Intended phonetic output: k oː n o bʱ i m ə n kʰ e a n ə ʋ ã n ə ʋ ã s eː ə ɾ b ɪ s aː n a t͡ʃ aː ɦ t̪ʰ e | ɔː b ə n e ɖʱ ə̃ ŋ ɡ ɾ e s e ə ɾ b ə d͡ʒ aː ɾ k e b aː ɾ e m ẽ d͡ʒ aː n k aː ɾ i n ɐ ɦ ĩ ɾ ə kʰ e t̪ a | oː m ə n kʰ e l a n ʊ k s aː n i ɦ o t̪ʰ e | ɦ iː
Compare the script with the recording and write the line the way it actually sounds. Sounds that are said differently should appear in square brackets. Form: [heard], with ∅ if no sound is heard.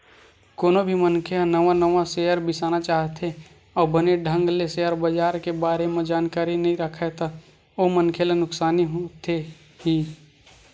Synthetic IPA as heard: k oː n o bʱ i m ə n kʰ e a n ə ʋ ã n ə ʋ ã s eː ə ɾ b ɪ s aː n a t͡ʃ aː ɦ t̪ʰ e | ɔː b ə n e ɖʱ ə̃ ŋ ɡ [l] e s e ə ɾ b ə d͡ʒ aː ɾ k e b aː ɾ e m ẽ d͡ʒ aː n k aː ɾ i n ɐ ɦ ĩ ɾ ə kʰ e t̪ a | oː m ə n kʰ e l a n ʊ k s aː n i ɦ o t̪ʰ e | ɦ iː